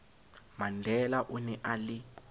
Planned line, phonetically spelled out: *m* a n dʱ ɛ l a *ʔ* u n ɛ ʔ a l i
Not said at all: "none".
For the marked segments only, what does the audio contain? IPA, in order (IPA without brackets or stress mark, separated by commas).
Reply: m, ʔ